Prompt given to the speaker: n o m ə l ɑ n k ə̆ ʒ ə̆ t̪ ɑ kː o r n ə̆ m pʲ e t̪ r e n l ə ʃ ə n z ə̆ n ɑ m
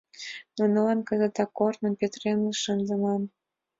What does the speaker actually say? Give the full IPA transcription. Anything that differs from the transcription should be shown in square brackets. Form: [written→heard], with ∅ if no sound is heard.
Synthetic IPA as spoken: n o [m→n] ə l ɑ n k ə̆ [ʒ→z] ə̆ t̪ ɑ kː o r n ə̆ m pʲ e t̪ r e n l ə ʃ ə n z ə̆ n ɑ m